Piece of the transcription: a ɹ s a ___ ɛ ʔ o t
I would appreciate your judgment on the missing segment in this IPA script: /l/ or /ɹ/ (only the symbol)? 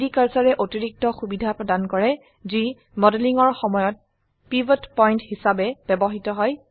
ɹ